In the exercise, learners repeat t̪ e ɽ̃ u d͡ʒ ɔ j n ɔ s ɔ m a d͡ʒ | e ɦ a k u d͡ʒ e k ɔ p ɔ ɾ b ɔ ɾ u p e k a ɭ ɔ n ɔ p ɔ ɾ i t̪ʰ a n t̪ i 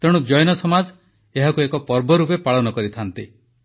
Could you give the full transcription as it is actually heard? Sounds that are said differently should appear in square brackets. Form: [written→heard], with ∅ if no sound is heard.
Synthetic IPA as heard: t̪ e ɽ̃ u d͡ʒ ɔ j n ɔ s ɔ m a d͡ʒ | e ɦ a k u [d͡ʒ→∅] e k ɔ p ɔ ɾ b ɔ ɾ u p e [k→p] a ɭ ɔ n ɔ [p→k] ɔ ɾ i t̪ʰ a n t̪ i